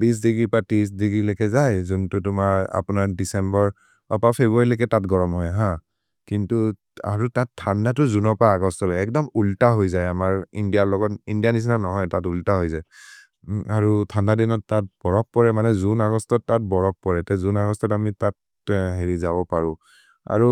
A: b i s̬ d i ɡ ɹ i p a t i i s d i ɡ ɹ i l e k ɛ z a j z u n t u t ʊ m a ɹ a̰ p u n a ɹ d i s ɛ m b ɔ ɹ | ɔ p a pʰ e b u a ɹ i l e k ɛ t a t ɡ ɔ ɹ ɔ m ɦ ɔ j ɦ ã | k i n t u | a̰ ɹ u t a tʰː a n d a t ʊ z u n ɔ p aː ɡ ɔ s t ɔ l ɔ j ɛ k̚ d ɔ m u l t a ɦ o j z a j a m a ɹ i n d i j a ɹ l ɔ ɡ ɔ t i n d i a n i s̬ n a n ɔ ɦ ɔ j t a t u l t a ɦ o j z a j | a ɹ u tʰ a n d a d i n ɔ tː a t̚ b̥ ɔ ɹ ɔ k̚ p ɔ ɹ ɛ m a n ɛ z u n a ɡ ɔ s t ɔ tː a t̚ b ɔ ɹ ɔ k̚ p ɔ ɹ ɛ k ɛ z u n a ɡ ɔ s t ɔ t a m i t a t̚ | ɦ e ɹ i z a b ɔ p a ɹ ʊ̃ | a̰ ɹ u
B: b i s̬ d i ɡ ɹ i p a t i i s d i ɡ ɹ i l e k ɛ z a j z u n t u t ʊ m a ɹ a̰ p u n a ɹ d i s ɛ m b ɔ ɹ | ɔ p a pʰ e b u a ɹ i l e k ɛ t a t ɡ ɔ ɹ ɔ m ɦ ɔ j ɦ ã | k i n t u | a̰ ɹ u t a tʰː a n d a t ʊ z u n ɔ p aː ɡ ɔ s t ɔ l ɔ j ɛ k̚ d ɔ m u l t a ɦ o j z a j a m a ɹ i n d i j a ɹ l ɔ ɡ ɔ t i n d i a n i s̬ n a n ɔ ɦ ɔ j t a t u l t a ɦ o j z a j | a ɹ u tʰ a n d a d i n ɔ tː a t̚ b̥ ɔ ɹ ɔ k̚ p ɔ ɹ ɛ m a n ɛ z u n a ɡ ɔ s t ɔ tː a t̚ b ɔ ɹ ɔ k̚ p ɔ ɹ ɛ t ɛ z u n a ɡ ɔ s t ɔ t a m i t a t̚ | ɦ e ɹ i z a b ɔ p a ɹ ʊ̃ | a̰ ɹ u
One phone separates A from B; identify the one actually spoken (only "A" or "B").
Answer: B